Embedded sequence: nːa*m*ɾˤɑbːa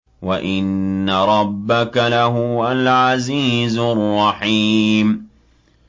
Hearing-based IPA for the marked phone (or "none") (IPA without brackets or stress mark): none